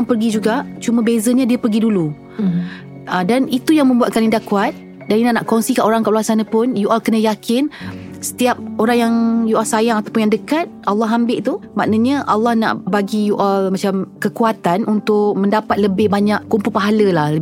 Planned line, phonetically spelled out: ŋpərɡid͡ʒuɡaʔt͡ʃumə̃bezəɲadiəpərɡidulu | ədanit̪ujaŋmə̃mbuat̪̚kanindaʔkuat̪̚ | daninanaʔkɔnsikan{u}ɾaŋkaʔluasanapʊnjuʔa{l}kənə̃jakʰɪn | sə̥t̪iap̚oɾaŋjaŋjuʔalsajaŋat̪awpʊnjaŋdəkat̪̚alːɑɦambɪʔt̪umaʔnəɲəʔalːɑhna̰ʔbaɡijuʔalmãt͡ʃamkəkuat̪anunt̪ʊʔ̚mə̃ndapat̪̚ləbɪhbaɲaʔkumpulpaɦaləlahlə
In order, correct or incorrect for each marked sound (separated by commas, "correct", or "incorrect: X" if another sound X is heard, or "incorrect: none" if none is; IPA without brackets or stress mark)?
incorrect: o, correct